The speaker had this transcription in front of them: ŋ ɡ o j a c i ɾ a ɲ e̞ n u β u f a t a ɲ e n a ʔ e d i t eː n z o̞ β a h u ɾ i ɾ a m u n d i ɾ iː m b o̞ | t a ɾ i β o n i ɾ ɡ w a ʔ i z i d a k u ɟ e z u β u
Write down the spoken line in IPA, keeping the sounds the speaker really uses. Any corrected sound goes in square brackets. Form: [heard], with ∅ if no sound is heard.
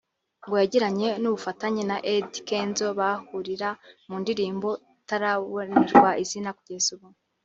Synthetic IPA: ŋ ɡ o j a [ɟ] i ɾ a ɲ e̞ n u β u f a t a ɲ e n a ʔ e d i [k] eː n z o̞ β a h u ɾ i ɾ a m u n d i ɾ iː m b o̞ | t a ɾ [a] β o n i ɾ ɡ w a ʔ i z i [n] a k u ɟ e z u β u